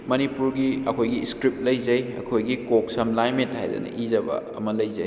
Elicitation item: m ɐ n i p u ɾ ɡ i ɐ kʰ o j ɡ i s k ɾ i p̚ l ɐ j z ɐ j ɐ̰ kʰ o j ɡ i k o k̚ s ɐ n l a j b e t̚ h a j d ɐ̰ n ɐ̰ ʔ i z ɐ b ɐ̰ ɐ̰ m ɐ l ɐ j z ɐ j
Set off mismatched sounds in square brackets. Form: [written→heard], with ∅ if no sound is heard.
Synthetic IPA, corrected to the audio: m ɐ n i p u ɾ ɡ i ɐ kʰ o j ɡ i s k ɾ i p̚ l ɐ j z ɐ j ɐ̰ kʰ o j ɡ i k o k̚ s ɐ [n→m] l a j [b→m] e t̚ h a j d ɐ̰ n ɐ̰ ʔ i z ɐ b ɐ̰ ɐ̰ m ɐ l ɐ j z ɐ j